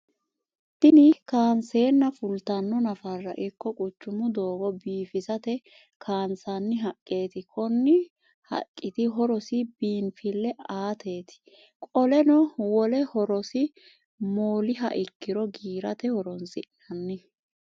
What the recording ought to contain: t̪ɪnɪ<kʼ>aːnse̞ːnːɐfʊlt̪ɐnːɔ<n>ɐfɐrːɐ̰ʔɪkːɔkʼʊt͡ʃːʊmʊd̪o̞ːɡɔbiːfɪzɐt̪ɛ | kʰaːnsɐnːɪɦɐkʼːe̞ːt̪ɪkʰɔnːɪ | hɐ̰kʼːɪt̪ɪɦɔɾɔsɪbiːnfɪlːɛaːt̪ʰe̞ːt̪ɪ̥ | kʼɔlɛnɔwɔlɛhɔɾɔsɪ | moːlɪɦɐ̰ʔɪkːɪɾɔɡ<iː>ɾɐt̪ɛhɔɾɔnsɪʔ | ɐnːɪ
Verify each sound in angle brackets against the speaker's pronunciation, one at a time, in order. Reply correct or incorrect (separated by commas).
incorrect, correct, correct